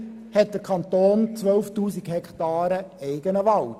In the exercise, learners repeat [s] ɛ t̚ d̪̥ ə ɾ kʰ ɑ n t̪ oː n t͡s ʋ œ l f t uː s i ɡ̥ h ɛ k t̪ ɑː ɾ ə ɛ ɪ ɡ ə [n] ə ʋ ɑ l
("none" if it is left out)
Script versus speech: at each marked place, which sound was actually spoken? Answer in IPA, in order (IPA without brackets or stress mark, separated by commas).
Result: h, n